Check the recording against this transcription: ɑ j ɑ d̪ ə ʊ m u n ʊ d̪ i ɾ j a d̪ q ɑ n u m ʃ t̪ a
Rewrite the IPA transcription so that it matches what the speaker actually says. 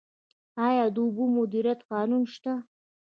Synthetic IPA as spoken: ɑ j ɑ d̪ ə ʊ b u m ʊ d̪ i ɾ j a t̪ q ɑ n u n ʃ t̪ a